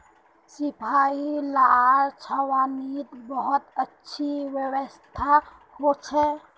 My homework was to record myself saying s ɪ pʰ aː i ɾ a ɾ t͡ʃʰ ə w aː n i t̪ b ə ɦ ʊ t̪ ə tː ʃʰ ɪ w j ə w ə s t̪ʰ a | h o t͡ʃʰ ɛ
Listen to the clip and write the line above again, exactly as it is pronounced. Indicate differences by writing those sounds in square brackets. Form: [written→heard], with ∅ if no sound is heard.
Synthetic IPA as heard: s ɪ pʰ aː i [ɾ→l] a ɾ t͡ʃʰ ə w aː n i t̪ b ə ɦ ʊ t̪ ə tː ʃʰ [ɪ→i] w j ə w ə s t̪ʰ a | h o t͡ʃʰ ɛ